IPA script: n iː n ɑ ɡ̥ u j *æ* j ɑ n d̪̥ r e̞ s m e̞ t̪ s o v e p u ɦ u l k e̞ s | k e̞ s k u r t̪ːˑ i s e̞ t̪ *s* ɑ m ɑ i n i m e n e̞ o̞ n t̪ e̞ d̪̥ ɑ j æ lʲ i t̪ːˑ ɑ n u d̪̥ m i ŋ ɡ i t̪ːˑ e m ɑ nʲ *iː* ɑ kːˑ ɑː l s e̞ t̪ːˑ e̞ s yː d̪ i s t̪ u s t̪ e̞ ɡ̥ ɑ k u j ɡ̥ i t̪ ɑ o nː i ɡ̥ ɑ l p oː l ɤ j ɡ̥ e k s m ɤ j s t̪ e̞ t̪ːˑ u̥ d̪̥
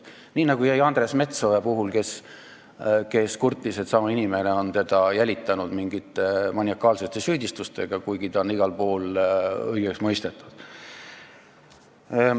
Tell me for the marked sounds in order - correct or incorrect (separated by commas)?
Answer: correct, correct, incorrect